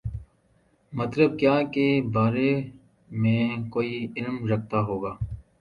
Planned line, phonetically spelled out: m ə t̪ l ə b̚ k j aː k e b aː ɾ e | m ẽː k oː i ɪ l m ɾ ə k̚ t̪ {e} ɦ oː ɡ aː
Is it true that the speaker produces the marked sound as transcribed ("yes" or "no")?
no